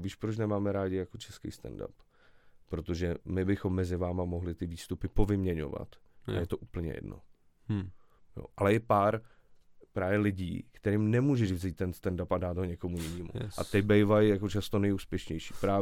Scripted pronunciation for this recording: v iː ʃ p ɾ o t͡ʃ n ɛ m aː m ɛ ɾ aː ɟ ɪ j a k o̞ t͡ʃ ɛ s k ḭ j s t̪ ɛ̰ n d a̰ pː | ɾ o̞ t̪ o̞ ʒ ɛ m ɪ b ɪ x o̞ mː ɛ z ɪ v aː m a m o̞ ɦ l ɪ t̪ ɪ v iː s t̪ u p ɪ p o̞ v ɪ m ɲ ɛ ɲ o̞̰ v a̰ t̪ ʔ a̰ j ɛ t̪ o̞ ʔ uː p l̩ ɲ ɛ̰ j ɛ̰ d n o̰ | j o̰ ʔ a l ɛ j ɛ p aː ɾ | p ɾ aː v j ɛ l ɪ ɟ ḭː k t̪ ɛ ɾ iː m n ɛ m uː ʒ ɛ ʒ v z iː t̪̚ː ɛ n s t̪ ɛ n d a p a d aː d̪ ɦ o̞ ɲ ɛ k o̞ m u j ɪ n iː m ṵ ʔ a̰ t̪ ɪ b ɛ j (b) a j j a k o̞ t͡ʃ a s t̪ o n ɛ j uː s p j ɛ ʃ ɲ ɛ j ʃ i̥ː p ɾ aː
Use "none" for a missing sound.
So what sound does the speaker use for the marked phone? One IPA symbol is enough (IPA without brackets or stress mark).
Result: v